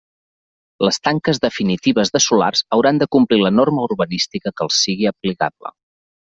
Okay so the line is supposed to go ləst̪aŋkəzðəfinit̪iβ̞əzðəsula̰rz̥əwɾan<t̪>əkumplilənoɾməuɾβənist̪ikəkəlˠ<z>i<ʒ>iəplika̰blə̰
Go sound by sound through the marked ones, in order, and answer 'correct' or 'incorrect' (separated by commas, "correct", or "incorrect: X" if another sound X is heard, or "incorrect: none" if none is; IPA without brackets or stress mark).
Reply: incorrect: d̪, incorrect: s, incorrect: ɣ